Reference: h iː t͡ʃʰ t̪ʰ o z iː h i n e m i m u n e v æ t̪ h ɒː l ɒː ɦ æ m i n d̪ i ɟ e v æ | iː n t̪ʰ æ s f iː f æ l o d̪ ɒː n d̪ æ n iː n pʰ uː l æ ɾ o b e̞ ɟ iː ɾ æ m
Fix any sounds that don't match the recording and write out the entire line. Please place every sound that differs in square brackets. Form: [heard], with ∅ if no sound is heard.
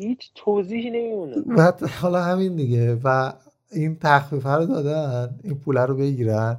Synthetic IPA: h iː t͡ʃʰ t̪ʰ o z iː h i n e m i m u n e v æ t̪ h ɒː l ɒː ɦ æ m i n d̪ i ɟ e v æ | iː n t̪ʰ æ [x] f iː f æ [ɾ] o d̪ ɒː [∅] d̪ æ n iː n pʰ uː l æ ɾ o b e̞ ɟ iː ɾ æ [n]